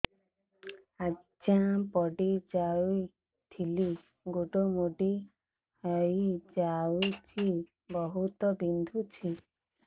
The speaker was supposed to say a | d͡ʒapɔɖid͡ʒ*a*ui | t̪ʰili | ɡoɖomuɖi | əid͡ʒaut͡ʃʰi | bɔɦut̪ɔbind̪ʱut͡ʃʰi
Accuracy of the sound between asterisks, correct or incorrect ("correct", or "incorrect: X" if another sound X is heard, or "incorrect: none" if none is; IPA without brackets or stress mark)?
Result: correct